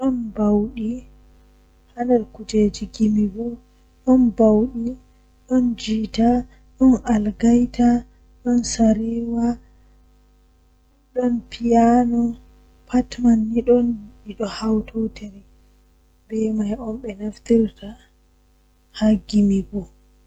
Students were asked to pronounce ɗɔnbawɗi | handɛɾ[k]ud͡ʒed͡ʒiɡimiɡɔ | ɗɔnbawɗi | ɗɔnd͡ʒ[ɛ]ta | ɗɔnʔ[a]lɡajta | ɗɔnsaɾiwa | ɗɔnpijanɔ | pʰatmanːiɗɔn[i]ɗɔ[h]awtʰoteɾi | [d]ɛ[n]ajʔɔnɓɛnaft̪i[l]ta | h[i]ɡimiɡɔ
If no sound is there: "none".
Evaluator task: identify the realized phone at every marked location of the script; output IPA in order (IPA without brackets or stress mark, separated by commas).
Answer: k, i, a, i, h, b, m, ɾ, a